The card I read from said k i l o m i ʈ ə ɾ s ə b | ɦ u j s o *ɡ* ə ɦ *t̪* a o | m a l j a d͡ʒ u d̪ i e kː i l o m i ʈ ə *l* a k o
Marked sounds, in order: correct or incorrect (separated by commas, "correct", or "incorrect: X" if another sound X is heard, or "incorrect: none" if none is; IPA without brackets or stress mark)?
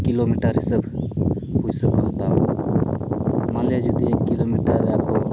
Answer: incorrect: k, correct, incorrect: ɾ